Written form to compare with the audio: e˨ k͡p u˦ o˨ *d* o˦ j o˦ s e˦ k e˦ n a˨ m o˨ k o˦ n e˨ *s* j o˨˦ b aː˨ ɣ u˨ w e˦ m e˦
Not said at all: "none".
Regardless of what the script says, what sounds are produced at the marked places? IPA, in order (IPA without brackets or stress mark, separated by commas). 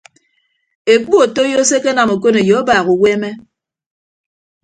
t, none